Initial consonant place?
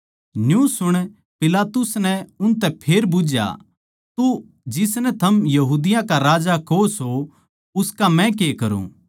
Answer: alveolar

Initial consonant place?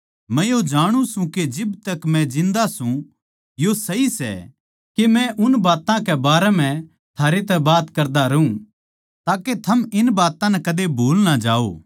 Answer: labial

